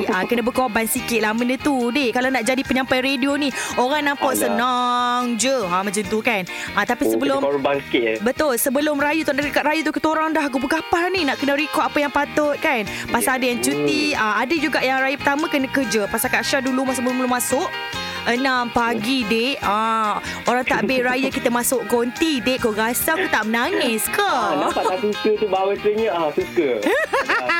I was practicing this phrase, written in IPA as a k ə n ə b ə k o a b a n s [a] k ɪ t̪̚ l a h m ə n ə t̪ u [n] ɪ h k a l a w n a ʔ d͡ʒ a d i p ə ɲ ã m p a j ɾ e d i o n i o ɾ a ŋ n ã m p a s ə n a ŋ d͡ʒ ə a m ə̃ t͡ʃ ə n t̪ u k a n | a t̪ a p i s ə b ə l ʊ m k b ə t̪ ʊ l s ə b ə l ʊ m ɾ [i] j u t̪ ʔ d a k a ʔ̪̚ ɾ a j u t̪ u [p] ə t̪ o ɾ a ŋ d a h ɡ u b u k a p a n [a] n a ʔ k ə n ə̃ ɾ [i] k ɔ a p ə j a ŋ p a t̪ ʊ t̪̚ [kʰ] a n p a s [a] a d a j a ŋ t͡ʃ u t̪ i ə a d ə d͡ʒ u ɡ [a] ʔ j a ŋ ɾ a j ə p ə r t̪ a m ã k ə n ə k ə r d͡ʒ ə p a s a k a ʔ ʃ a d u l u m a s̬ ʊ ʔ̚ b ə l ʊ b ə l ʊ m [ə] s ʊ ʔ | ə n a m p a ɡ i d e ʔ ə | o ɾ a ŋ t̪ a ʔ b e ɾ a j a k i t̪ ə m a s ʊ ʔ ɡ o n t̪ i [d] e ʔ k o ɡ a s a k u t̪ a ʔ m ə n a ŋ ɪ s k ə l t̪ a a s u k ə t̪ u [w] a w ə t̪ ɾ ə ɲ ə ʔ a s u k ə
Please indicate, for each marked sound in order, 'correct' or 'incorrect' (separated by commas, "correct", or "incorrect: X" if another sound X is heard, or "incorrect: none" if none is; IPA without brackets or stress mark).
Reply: incorrect: i, incorrect: d, incorrect: a, incorrect: k, incorrect: i, correct, incorrect: k, correct, correct, incorrect: a, correct, incorrect: b